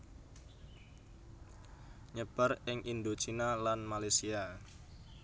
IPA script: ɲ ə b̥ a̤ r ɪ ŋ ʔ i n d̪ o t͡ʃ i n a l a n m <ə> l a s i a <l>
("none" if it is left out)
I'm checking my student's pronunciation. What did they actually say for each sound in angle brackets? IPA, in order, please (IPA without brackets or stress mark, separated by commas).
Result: a, none